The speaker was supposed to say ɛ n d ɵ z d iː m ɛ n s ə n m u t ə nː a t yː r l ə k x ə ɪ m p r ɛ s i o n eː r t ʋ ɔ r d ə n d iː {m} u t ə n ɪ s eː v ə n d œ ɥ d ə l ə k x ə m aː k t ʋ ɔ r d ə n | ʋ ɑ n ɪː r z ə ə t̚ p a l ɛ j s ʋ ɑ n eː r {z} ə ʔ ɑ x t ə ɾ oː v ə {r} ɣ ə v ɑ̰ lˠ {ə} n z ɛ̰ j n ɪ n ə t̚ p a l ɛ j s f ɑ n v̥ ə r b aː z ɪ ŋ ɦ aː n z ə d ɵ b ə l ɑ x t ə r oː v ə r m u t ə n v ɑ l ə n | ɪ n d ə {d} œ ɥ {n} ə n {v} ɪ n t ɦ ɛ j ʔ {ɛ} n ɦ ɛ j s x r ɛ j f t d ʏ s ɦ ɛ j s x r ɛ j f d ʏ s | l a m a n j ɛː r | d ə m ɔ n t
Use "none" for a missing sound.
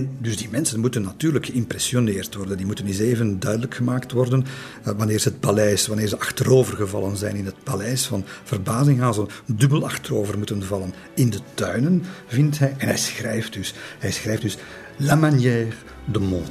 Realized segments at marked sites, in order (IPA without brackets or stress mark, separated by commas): m, z, r, ə, t, n, v, ɛ